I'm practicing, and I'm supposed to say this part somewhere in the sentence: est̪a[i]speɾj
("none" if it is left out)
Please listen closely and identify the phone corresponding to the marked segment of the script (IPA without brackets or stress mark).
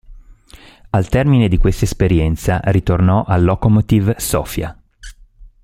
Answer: e